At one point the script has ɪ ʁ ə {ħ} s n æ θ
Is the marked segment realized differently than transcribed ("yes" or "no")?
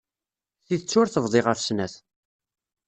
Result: yes